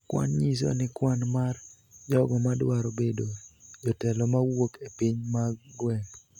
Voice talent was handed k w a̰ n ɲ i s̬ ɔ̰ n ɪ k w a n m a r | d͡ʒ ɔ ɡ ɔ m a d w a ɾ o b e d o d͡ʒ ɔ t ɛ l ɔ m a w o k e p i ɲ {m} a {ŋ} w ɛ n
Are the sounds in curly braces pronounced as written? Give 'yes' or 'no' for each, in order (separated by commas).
yes, no